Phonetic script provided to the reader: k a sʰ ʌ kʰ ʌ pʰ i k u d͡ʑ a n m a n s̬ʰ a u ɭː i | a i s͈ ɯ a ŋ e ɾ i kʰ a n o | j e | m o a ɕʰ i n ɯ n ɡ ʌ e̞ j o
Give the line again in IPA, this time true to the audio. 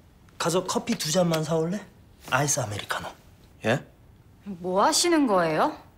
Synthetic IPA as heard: k a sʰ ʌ kʰ ʌ pʰ i t u d͡ʑ a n m a n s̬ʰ a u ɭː e | a i s͈ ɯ a m e ɾ i kʰ a n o | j e | m o a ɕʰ i n ɯ n ɡ ʌ e̞ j o